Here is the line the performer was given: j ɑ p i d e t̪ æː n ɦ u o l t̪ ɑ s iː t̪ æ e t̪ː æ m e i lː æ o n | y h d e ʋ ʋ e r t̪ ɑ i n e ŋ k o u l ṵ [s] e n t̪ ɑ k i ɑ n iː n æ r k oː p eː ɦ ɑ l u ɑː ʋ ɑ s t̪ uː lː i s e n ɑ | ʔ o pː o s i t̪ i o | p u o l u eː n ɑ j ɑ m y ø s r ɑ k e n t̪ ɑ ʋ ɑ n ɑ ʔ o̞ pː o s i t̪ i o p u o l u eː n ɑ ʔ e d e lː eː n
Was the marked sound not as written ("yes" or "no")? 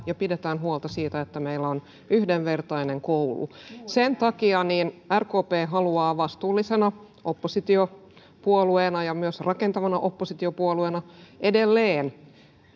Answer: no